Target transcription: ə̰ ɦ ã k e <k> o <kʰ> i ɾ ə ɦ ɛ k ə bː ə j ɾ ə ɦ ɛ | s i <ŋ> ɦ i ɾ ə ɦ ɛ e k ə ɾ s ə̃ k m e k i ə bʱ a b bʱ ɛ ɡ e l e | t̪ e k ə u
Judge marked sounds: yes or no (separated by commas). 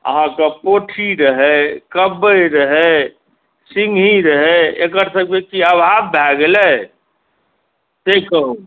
no, no, yes